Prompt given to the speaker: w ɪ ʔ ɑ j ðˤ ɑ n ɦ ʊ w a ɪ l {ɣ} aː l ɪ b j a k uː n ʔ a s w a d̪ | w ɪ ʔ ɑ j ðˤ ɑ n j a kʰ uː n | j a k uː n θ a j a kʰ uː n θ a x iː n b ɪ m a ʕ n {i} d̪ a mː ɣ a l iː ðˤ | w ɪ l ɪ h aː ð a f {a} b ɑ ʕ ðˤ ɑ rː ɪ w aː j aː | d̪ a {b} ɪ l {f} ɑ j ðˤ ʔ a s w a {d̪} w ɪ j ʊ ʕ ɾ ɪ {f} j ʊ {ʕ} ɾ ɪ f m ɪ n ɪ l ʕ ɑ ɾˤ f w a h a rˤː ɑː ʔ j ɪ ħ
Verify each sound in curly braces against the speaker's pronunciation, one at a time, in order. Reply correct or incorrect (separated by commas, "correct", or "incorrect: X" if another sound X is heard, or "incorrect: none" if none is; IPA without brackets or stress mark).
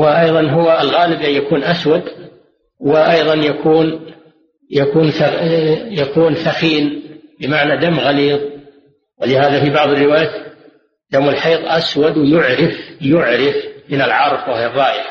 correct, incorrect: a, incorrect: i, incorrect: m, incorrect: ħ, correct, correct, correct